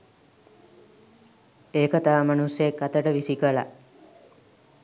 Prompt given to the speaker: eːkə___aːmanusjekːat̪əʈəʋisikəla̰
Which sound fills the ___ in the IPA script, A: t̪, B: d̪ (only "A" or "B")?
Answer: A